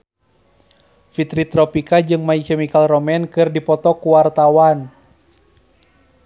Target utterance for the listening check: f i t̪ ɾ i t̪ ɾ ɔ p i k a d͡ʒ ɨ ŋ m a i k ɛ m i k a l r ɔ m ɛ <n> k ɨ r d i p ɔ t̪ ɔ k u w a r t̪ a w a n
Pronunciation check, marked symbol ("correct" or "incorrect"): correct